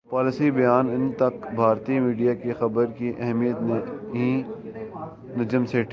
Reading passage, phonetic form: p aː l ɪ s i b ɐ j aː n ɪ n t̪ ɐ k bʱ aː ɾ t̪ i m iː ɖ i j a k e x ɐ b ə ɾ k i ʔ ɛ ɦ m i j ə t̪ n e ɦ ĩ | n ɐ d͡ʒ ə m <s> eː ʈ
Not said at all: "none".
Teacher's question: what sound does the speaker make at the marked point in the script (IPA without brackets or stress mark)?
s